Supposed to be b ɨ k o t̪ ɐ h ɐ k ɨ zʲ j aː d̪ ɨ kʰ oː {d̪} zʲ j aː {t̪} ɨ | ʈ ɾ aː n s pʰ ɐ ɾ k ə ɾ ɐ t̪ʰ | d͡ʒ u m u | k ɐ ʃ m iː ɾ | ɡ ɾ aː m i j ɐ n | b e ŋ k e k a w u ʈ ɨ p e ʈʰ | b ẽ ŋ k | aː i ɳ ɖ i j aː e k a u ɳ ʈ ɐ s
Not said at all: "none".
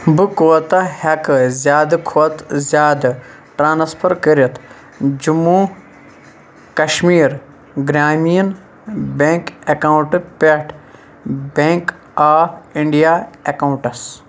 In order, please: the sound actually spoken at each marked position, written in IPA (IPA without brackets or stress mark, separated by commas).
t̪, d̪